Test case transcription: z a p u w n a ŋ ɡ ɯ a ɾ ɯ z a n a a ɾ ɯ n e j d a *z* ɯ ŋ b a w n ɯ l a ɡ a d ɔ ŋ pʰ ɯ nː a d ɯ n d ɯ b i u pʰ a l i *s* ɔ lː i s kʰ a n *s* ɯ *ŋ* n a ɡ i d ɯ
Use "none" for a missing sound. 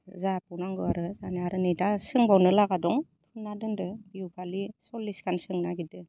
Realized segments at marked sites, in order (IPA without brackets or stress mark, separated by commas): s, s, s, ŋ